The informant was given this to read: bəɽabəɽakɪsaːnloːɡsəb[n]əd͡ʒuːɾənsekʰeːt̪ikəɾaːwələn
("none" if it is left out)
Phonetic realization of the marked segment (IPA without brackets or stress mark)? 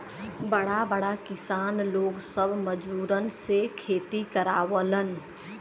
m